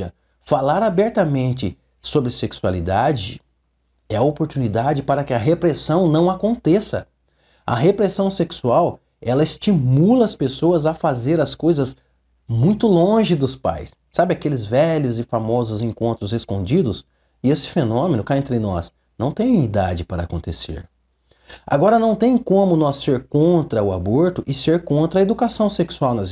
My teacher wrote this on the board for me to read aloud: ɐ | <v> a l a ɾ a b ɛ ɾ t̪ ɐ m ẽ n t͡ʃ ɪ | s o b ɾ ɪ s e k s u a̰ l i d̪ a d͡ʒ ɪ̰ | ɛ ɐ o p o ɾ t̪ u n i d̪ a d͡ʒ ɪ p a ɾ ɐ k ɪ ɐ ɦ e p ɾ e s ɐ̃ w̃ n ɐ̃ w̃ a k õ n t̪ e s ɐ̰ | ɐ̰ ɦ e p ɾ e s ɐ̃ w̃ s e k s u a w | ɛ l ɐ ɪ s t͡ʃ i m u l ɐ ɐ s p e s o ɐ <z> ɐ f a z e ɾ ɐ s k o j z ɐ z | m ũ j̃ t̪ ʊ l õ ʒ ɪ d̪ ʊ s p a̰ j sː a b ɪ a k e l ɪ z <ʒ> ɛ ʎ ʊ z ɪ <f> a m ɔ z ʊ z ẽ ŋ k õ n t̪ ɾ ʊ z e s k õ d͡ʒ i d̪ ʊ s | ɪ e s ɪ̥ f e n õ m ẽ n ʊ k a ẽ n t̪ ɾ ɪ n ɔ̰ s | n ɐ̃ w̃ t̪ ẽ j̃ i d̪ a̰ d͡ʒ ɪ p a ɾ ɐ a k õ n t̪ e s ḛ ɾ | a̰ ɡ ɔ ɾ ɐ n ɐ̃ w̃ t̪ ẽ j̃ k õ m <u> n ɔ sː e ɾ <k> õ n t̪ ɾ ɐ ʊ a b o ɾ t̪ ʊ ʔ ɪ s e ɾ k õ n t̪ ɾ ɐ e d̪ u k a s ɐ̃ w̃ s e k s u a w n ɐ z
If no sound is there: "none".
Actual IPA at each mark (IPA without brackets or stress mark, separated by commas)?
f, z, v, f, ʊ, k